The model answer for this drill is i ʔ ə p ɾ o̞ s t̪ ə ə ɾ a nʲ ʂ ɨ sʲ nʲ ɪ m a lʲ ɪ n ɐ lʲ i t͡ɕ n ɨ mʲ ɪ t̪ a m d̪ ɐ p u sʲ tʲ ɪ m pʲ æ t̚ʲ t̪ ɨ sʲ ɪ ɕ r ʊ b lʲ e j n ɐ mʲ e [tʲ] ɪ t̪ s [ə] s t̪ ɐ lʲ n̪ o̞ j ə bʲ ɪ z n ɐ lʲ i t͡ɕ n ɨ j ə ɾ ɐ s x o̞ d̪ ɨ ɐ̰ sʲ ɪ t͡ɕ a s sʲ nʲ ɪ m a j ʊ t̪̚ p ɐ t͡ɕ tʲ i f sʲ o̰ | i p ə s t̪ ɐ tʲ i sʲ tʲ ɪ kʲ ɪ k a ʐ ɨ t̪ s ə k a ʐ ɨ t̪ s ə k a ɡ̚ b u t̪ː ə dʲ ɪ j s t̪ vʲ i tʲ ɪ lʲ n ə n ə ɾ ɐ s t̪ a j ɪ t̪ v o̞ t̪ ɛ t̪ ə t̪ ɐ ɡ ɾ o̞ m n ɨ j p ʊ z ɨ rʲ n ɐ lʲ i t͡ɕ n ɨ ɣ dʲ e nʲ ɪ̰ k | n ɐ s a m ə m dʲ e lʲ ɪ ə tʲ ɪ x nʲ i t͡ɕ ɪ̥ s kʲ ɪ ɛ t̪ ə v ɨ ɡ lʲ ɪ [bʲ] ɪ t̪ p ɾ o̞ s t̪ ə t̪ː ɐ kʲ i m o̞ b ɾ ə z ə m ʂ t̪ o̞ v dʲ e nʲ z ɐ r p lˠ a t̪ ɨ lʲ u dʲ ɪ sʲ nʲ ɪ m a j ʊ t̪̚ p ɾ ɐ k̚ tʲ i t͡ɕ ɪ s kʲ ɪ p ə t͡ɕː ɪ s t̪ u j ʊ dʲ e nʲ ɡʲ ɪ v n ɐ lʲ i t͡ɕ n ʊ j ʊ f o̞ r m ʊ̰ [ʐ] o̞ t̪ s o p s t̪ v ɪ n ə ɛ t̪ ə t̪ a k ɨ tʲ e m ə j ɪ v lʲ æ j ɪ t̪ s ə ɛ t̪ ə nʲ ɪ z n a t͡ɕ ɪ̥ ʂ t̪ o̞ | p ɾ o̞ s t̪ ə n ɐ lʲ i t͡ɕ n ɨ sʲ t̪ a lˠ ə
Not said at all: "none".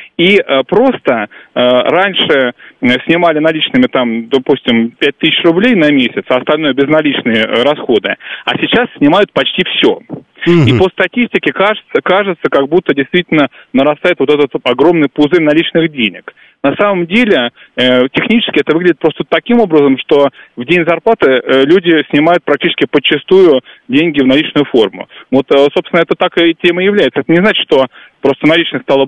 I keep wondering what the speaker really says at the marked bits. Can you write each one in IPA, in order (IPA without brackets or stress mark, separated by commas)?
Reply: sʲ, ɐ, dʲ, v